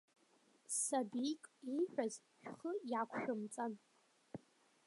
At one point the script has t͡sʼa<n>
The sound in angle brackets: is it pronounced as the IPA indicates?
yes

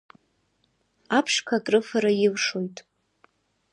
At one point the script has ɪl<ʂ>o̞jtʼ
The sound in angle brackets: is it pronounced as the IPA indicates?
yes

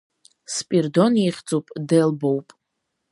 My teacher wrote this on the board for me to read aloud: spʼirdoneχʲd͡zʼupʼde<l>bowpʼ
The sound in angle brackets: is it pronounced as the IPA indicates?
yes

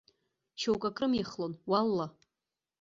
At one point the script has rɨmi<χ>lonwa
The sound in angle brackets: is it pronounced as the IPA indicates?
yes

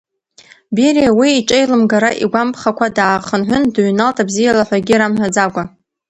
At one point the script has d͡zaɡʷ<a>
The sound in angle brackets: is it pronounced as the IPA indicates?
yes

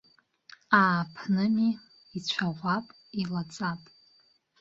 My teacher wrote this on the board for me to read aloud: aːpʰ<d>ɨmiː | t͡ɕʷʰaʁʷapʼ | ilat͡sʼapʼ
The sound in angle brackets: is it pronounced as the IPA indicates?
no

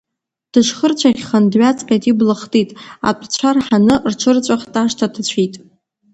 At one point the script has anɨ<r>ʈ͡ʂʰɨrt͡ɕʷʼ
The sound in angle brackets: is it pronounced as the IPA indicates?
yes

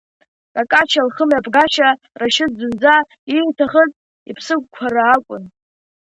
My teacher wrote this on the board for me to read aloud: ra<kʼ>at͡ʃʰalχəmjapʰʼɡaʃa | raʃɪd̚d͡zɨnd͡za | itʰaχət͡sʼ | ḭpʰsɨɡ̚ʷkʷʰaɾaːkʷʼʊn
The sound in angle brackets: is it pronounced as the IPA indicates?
yes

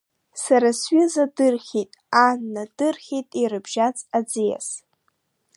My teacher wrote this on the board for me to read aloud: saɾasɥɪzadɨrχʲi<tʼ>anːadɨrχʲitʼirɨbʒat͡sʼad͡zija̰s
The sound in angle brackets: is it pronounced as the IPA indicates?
yes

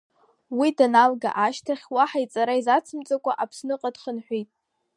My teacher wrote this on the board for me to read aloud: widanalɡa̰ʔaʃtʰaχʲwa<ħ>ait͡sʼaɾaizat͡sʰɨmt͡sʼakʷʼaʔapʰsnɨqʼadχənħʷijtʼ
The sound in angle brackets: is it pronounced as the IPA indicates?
yes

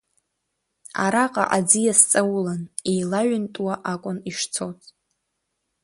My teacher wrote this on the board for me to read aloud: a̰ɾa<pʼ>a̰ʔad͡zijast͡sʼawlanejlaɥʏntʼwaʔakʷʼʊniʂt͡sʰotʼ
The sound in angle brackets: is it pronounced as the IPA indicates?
no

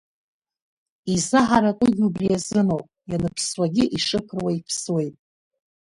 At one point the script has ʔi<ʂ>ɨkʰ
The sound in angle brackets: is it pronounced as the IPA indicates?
yes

